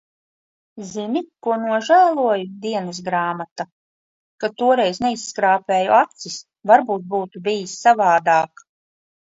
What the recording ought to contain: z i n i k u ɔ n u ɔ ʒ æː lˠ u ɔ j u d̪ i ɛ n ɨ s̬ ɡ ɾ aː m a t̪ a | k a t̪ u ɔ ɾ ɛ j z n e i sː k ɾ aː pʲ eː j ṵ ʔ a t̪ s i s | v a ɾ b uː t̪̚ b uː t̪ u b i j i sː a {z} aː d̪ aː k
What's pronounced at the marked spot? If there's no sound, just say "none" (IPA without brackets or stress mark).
v